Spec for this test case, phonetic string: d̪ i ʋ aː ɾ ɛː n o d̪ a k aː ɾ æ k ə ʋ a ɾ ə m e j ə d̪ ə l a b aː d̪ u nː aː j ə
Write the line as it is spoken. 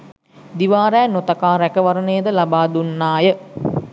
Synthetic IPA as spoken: d̪ i ʋ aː ɾ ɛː n o t̪ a k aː ɾ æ k ə ʋ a ɾ ə n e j ə d̪ ə l a b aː d̪ u nː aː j ə